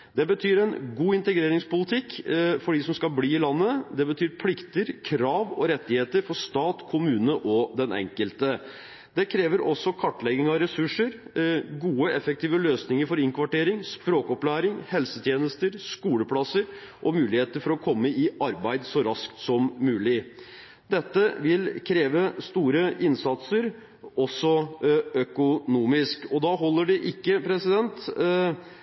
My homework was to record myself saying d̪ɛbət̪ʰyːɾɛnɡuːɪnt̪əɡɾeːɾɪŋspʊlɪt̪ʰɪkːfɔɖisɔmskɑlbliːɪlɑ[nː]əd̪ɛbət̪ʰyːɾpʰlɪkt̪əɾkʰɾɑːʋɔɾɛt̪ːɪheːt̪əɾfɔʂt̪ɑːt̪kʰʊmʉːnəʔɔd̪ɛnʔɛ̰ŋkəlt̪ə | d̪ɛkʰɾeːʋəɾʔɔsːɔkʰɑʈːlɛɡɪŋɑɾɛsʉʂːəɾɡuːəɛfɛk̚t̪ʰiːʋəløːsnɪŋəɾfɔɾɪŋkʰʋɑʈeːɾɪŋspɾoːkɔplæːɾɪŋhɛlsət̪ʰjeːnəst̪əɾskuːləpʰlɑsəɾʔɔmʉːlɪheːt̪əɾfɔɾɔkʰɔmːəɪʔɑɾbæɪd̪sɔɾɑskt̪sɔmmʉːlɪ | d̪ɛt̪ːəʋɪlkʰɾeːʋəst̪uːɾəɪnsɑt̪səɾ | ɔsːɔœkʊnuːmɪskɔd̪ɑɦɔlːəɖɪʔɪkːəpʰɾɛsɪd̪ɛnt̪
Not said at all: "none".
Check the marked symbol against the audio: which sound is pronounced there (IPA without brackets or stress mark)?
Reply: nː